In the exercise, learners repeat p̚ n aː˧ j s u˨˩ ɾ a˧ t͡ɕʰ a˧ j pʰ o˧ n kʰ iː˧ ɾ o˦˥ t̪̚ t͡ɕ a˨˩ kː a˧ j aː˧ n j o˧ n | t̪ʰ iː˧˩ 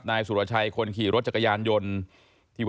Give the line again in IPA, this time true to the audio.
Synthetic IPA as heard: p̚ n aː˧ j s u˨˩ ɾ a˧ t͡ɕʰ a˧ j kʰ o˧ n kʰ iː˨˩ ɾ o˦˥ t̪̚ t͡ɕ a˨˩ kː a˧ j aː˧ n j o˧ n | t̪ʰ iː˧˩